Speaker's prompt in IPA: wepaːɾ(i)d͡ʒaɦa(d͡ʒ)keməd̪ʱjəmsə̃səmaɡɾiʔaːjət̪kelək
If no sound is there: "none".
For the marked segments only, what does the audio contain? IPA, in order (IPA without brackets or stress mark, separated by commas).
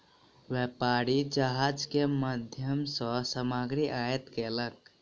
i, d͡ʒ